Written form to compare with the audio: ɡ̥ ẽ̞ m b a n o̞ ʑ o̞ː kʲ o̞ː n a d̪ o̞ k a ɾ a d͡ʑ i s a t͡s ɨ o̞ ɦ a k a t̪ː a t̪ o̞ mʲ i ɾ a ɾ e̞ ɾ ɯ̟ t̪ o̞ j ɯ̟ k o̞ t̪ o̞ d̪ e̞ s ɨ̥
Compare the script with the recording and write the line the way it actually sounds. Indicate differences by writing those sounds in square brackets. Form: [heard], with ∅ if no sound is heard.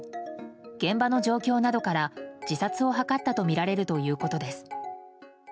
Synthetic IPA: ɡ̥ ẽ̞ m b a n o̞ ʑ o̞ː kʲ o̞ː n a d̪ o̞ k a ɾ a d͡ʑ i s a t͡s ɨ o̞ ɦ a k a t̪ː a t̪ o̞ mʲ i ɾ a ɾ e̞ ɾ ɯ̟ t̪ o̞ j [ɯ̟ː] k o̞ t̪ o̞ d̪ e̞ s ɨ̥